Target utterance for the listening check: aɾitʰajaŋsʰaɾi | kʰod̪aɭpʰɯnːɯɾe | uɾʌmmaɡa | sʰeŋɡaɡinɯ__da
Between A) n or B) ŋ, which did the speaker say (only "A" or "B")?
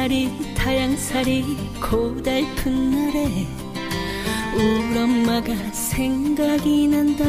A